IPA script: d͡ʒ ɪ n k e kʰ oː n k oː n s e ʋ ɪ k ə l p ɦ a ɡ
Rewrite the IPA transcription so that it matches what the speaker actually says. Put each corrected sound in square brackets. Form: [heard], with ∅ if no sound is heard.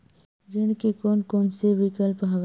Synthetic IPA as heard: d͡ʒ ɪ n k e [k] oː n k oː n s e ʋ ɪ k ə l p ɦ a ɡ